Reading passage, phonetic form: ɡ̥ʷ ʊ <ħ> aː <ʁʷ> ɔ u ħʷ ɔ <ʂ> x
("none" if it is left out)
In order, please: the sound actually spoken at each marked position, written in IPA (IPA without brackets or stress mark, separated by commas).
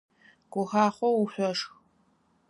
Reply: x, χʷ, ʂ